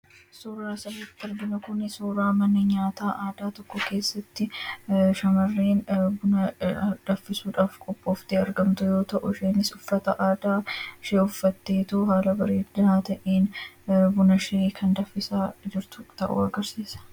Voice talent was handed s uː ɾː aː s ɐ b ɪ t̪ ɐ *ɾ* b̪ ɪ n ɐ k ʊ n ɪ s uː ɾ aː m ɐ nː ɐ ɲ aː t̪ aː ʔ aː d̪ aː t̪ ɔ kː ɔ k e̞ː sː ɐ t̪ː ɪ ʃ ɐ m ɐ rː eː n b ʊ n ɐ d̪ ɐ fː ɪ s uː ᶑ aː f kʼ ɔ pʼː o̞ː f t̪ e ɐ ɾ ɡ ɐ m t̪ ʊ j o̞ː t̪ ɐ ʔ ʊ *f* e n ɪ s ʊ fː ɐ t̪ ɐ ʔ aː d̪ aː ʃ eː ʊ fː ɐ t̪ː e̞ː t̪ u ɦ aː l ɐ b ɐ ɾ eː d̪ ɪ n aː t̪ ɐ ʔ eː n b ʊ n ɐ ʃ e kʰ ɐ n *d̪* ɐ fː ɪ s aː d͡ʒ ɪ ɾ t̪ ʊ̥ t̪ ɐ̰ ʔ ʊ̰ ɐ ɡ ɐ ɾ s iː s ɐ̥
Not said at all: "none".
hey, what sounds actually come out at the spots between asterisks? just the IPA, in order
ɾ, ʃ, d̪

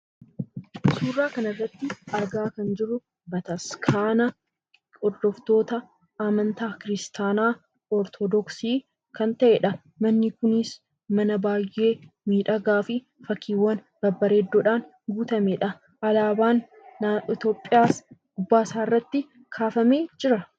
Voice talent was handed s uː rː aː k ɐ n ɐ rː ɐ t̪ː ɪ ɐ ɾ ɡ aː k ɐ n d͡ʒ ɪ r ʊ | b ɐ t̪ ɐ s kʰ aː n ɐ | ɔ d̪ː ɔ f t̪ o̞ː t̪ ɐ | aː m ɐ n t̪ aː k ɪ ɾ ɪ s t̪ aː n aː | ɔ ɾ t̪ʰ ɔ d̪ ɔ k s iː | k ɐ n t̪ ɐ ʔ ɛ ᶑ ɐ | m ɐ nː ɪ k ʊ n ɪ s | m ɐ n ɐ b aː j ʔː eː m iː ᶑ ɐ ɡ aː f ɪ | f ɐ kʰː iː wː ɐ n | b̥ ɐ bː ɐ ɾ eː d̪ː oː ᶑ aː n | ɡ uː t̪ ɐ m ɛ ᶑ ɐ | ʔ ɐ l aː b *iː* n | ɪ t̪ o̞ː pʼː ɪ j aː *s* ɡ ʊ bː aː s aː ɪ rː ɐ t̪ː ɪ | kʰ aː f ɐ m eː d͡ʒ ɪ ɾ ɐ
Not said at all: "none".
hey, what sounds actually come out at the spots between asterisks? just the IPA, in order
aː, s

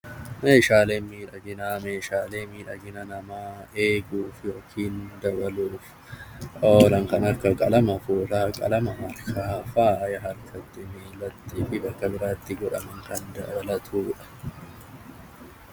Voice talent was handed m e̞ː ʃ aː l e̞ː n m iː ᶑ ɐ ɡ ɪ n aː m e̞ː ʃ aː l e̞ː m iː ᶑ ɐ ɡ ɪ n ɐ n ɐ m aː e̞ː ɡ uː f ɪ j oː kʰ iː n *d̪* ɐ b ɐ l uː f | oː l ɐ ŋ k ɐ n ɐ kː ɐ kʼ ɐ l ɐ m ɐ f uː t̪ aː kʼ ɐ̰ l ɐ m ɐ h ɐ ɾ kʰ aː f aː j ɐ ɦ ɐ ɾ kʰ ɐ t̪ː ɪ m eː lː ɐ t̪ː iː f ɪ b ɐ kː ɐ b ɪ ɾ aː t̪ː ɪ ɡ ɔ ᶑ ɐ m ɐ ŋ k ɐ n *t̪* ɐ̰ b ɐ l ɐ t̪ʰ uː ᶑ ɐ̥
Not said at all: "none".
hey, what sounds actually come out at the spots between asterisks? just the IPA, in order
d̪, d̪

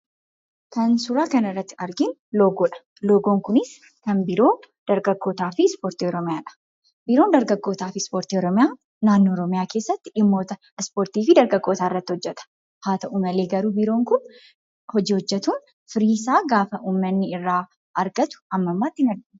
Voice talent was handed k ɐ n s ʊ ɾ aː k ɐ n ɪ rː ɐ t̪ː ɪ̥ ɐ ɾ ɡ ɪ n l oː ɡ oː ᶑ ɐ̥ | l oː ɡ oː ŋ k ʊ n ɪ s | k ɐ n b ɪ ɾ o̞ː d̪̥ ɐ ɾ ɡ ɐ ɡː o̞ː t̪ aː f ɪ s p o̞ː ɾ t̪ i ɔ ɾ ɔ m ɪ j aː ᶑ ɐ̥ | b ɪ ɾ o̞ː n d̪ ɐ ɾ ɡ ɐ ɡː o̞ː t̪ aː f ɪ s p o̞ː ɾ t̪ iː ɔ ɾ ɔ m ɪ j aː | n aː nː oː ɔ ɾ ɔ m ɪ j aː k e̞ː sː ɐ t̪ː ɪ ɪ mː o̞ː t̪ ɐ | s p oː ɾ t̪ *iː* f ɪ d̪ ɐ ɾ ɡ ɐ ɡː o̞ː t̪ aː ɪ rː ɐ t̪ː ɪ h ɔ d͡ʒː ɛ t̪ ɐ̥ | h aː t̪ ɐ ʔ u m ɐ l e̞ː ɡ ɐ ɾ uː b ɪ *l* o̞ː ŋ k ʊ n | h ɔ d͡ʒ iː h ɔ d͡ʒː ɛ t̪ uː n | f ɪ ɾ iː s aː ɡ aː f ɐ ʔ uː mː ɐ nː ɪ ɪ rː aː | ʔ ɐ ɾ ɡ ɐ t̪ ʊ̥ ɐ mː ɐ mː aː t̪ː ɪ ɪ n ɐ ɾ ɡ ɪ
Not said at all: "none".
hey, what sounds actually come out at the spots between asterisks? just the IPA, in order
iː, ɾ

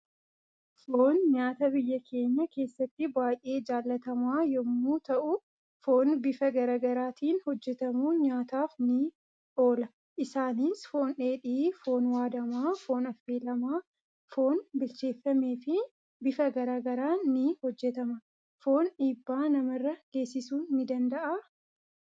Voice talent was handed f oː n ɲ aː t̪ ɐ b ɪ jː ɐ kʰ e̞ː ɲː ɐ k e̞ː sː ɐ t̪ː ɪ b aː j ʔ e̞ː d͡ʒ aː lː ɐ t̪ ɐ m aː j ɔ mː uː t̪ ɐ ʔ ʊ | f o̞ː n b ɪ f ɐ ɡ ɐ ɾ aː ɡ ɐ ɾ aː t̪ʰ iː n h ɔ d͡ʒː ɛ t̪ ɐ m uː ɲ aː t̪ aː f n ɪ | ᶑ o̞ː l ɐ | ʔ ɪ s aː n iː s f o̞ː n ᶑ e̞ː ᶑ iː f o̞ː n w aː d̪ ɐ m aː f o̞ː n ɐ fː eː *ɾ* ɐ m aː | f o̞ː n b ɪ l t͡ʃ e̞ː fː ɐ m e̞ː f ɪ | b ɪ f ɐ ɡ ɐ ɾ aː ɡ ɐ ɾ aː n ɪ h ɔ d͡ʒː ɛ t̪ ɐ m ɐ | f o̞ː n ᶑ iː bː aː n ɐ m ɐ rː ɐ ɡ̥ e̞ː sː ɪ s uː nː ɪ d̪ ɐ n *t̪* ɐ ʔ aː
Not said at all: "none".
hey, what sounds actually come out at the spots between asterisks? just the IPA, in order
l, d̪

